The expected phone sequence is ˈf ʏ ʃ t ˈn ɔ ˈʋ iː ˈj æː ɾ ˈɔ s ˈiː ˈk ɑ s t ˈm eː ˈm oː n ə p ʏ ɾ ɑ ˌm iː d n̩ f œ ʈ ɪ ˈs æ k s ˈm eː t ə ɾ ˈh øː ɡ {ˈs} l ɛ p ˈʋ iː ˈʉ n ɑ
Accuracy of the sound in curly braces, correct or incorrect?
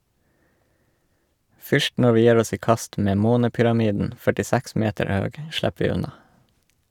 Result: incorrect